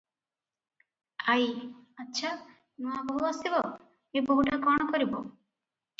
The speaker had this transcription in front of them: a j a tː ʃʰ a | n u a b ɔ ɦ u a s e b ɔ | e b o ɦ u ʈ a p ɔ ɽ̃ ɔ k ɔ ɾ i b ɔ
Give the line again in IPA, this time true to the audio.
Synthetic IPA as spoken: a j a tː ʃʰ a | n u a b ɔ ɦ u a s i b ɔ | e b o ɦ u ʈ a k ɔ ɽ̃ ɔ k ɔ ɾ i b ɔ